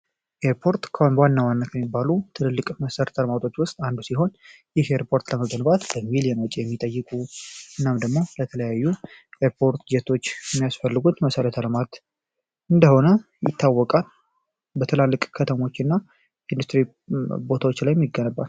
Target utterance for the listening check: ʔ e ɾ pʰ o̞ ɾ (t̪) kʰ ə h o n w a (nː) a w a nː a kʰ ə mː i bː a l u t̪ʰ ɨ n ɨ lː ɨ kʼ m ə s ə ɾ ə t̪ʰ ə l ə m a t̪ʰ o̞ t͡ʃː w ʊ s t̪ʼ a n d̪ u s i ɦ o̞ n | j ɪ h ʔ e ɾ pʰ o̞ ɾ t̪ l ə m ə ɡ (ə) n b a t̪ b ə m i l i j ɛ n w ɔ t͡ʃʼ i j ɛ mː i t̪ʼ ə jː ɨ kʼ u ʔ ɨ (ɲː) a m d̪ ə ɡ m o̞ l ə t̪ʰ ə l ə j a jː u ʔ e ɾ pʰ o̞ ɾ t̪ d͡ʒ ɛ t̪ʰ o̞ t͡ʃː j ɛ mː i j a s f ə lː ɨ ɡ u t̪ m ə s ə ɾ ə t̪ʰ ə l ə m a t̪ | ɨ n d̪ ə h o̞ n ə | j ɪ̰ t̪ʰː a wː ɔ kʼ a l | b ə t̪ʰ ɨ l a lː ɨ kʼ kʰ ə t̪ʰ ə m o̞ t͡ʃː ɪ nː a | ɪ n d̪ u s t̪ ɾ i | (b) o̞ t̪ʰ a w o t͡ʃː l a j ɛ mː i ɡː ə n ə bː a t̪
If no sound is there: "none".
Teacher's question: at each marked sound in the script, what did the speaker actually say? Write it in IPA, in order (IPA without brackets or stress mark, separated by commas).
t̪, nː, ə, nː, b